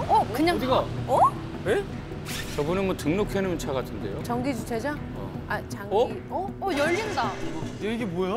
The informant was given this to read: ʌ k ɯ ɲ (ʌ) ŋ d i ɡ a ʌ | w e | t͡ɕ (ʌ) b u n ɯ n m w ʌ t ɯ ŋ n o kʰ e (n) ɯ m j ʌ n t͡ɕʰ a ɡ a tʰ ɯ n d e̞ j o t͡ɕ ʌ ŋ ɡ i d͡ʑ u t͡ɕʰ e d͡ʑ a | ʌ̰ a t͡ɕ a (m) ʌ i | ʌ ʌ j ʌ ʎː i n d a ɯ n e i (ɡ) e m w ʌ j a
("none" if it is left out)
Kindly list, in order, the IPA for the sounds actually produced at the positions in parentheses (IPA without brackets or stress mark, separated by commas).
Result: a, ʌ, n, ŋ, ɡ